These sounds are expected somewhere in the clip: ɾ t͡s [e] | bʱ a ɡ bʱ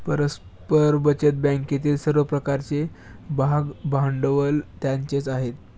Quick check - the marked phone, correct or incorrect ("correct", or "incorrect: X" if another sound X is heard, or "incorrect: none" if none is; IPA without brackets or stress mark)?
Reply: correct